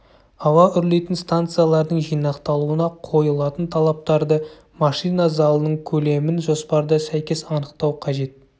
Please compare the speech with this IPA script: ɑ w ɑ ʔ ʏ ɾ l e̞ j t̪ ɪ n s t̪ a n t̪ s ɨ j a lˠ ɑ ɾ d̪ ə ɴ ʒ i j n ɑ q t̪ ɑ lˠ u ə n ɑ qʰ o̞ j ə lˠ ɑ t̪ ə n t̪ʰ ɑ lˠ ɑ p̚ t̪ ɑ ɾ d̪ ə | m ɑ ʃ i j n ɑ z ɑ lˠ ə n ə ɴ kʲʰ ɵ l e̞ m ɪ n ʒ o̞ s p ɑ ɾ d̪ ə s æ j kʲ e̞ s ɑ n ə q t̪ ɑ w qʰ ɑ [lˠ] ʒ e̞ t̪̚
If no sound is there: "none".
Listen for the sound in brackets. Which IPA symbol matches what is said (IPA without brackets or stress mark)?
none